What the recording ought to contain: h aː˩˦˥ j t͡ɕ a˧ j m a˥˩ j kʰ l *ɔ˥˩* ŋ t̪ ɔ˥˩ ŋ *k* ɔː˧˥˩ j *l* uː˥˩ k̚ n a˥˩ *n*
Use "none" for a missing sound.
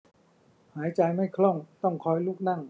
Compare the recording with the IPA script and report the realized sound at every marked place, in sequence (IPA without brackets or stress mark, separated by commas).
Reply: ɔ˥˩, kʰ, l, ŋ